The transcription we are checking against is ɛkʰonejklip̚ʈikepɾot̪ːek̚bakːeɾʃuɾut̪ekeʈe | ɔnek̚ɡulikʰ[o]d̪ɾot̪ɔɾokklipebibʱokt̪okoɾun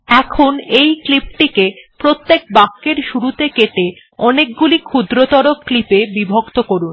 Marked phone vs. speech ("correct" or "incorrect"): incorrect